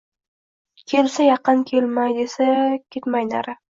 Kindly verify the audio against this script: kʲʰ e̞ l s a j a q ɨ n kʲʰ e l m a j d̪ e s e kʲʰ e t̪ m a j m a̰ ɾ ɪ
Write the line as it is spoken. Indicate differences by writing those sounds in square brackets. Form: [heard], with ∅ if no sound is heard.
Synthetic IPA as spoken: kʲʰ e̞ l s a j [ɑ] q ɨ n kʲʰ e l m a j d̪ e s [a] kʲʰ e t̪ m a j [n] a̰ ɾ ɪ